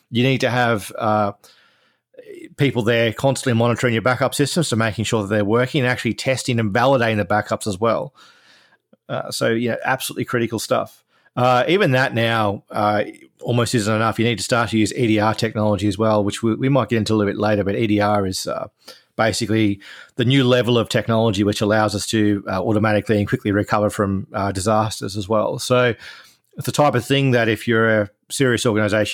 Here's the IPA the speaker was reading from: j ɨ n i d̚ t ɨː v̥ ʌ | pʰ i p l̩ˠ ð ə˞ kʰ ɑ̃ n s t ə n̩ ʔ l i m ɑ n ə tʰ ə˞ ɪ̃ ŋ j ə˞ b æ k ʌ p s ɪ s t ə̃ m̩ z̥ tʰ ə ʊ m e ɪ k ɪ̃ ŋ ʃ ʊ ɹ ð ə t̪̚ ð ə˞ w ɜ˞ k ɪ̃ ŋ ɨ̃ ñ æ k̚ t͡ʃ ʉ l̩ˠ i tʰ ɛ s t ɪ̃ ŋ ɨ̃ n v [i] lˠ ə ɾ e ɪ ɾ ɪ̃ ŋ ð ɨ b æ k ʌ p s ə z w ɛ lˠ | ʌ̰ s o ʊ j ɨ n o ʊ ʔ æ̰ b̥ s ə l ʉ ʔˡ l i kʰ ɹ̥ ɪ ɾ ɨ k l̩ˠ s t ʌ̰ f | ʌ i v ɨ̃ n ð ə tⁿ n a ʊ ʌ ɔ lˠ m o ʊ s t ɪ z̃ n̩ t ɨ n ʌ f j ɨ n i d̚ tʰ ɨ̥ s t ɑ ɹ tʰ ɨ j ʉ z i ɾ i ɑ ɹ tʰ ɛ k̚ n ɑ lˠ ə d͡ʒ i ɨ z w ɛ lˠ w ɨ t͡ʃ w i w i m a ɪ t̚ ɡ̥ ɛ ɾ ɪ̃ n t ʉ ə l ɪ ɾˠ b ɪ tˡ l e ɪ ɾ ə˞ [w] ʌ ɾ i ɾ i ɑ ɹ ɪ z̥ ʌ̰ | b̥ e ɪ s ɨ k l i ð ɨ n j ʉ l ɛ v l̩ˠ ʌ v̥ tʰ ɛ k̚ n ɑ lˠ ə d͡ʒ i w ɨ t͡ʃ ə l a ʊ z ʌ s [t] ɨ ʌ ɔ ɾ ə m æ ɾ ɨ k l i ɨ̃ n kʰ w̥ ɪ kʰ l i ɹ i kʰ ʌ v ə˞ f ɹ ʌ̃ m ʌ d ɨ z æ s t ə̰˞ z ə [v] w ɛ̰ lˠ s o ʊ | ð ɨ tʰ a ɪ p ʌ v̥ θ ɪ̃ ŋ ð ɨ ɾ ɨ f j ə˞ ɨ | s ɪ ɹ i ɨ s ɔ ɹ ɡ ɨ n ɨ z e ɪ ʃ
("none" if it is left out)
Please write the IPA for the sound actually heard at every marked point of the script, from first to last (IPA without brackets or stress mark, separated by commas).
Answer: æ, b, tʰ, z